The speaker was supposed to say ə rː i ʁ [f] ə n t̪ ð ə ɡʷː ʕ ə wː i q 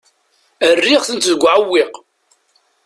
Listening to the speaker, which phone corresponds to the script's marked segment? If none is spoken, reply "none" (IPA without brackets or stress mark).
θ